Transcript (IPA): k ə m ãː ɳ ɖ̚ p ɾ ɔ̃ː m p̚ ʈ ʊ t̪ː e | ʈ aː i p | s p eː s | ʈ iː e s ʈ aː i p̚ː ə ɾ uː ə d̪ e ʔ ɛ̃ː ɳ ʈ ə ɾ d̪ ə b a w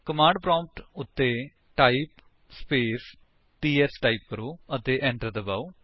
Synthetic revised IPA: k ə m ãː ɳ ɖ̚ p ɾ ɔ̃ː m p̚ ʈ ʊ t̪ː e | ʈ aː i p | s p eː s | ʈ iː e s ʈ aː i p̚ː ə ɾ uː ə t̪ e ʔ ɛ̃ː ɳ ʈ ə ɾ d̪ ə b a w